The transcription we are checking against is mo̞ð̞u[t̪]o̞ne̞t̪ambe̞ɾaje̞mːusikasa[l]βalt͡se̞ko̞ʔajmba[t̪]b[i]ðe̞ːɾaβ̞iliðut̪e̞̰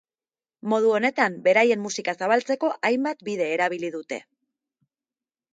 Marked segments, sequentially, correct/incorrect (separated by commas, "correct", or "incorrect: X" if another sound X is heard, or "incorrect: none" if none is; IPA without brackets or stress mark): incorrect: none, incorrect: none, correct, correct